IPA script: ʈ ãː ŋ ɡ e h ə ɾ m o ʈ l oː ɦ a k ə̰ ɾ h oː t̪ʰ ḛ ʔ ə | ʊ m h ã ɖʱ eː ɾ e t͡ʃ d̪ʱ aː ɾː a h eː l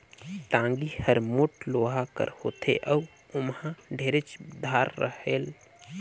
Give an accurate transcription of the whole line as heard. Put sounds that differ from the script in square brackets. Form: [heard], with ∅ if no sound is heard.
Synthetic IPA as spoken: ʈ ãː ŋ ɡ [i] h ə ɾ m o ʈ l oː ɦ a k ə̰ ɾ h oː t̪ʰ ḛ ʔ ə | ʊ m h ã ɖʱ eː ɾ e t͡ʃ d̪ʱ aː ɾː [ə] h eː l